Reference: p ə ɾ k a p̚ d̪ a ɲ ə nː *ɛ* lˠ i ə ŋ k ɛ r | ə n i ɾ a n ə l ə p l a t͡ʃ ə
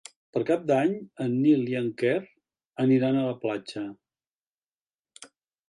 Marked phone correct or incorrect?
incorrect